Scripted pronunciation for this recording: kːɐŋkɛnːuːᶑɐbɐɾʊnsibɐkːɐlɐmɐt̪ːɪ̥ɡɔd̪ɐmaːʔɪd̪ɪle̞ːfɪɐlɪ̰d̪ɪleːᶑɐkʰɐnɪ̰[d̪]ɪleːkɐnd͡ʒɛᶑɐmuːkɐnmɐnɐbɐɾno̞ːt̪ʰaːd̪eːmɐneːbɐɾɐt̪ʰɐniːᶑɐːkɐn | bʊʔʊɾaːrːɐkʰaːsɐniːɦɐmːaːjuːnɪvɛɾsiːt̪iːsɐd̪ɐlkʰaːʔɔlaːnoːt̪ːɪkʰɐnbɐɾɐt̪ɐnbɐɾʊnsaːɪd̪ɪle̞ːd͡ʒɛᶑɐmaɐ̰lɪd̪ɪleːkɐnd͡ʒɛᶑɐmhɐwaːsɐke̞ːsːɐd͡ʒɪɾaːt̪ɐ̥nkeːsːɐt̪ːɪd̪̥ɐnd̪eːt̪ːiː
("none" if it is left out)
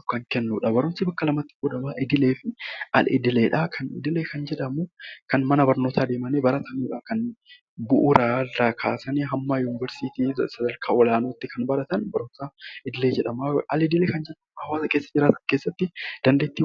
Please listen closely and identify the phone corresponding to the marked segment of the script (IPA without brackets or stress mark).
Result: d̪